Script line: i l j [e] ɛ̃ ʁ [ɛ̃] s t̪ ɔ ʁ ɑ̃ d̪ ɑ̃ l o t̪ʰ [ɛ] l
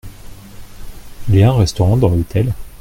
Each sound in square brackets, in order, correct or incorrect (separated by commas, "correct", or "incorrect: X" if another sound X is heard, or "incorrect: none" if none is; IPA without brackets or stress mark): incorrect: a, incorrect: ɛ, correct